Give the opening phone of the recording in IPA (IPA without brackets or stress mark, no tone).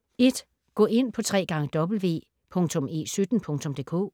e̝